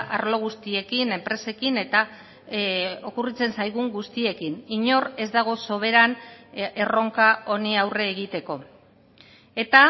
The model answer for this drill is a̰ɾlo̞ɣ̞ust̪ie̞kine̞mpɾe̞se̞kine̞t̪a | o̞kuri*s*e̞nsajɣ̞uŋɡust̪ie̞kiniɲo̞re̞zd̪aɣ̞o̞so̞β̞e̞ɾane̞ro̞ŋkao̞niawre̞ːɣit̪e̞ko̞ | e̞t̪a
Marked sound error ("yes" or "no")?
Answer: yes